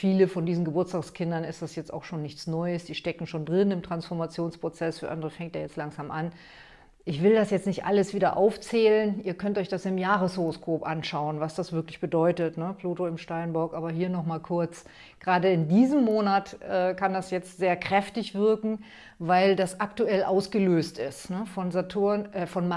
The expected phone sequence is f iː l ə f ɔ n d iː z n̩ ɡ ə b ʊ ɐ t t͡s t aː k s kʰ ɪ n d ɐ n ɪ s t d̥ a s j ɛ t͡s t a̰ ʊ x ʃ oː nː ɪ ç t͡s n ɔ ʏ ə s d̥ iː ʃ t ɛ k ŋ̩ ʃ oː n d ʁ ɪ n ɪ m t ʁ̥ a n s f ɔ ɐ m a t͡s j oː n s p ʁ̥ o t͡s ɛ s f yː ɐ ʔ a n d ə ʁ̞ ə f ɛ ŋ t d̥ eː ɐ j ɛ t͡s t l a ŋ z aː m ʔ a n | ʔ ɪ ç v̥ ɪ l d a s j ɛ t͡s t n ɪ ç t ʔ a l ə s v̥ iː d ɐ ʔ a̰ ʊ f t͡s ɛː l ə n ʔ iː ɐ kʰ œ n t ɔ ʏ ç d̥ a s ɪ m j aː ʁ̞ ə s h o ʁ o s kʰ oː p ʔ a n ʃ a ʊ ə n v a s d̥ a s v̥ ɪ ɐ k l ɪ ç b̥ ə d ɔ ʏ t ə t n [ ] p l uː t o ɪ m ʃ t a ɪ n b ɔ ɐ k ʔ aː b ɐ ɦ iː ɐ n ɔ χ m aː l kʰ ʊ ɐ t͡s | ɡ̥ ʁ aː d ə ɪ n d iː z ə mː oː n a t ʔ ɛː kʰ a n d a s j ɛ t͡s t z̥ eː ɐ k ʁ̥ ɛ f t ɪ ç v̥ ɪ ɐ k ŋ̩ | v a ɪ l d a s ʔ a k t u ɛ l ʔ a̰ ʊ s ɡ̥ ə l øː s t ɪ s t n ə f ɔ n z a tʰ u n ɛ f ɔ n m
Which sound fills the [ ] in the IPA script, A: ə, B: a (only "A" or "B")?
A